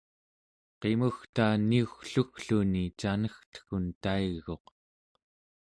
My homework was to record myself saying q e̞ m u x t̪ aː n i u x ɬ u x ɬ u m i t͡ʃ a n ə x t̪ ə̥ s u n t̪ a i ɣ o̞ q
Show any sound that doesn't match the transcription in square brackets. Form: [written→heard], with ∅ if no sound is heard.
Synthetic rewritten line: q e̞ m u x t̪ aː n i u x ɬ u x ɬ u [m→n] i t͡ʃ a n ə x t̪ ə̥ [s→x] u n t̪ a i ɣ o̞ q